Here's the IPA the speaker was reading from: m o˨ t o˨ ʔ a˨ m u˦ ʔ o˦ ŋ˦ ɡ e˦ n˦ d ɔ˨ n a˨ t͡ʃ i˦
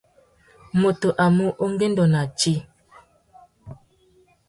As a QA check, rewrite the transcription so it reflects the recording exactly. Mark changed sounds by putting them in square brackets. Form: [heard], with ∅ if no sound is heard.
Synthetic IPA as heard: m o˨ t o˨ ʔ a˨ m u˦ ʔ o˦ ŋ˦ ɡ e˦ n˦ d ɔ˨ n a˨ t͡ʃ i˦